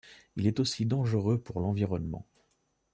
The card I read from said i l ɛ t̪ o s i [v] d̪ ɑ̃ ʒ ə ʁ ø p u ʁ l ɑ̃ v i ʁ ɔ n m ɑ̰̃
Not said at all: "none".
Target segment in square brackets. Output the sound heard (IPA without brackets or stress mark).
none